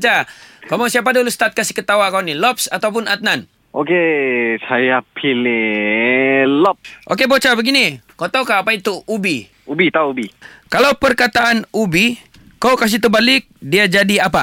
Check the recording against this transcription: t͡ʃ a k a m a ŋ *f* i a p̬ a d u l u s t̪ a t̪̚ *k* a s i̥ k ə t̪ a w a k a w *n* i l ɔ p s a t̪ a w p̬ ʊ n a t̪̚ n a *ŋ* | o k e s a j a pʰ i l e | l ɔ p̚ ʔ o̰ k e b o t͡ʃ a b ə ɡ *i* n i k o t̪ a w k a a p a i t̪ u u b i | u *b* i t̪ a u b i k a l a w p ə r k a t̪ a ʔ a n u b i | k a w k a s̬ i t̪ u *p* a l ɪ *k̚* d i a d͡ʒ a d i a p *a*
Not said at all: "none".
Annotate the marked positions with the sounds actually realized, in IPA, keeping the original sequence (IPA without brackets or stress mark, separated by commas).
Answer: s, k, n, n, i, b, b, k̚, a